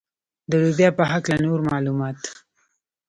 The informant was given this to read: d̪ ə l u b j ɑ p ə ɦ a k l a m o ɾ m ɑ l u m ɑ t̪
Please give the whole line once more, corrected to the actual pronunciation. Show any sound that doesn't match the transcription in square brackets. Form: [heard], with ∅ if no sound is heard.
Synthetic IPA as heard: d̪ ə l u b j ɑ p ə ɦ a k l a [n] o ɾ m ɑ l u m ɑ t̪